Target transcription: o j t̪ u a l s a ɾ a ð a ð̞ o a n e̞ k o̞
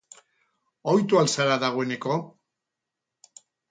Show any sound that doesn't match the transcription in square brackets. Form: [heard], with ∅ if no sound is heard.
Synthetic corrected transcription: o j t̪ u a l s a ɾ a ð a [ɣ̞] o [e] n e̞ k o̞